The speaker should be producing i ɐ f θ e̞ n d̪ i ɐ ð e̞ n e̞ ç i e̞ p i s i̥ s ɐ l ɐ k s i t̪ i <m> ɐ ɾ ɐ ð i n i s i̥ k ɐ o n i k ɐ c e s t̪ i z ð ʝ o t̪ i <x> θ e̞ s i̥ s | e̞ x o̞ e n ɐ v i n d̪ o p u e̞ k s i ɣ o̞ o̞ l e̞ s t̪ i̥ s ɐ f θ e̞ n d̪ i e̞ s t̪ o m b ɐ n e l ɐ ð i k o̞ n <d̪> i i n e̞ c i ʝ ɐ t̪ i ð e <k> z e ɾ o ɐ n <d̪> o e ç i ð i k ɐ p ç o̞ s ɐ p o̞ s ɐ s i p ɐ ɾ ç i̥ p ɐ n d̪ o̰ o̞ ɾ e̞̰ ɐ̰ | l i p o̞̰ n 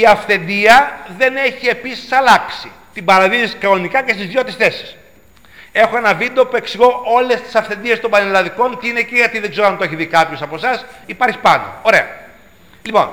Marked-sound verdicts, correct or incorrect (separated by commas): incorrect, incorrect, incorrect, incorrect, incorrect